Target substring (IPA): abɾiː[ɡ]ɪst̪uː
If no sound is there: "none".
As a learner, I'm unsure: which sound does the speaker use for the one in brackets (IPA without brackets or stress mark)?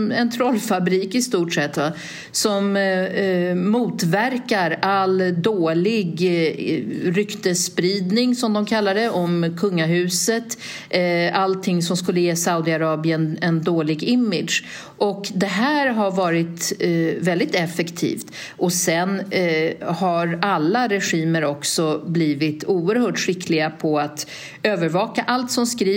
k